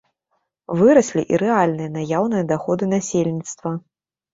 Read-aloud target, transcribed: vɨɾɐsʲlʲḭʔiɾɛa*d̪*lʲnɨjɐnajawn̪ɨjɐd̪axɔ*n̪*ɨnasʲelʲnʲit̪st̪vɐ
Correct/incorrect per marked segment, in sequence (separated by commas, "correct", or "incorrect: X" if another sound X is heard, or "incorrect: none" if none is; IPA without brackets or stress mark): incorrect: none, incorrect: d̪